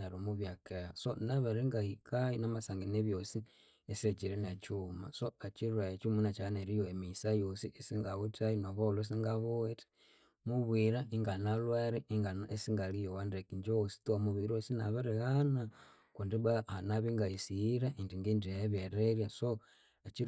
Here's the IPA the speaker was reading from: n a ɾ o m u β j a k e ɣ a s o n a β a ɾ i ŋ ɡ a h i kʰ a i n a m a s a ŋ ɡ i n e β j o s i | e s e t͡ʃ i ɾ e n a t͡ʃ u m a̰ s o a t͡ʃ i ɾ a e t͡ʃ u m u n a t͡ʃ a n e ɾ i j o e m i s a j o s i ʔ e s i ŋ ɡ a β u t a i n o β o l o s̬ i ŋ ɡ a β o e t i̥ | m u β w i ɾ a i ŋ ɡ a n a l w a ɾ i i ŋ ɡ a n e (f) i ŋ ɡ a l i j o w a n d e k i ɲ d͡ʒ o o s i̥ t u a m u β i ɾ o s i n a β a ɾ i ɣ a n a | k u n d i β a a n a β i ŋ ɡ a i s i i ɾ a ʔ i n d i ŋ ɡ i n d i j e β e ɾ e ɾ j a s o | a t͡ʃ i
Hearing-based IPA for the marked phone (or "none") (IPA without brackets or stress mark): s